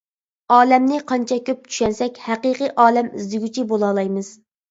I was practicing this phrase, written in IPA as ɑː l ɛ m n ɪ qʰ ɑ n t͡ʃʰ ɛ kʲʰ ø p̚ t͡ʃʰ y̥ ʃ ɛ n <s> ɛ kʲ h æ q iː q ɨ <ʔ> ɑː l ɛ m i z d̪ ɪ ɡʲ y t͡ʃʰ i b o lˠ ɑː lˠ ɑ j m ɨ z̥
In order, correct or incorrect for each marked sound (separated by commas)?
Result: correct, correct